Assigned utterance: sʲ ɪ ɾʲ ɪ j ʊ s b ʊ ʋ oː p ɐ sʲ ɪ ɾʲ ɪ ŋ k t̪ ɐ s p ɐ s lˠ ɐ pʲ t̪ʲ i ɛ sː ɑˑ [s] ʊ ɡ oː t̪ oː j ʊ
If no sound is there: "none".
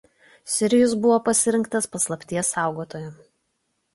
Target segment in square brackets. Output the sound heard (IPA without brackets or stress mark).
none